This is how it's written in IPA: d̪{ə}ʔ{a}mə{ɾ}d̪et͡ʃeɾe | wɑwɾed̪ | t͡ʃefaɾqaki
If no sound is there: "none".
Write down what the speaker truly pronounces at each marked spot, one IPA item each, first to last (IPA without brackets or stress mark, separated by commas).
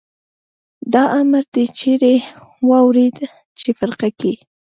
ɑ, a, ɾ